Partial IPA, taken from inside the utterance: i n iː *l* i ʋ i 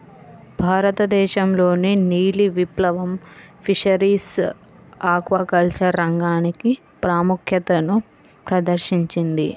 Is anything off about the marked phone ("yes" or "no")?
no